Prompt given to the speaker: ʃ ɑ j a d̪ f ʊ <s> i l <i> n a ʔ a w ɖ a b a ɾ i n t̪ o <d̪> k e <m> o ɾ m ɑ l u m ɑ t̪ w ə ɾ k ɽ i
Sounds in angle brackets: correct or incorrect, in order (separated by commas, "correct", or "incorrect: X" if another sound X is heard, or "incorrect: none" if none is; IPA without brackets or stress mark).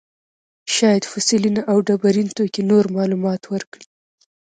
correct, correct, incorrect: none, incorrect: n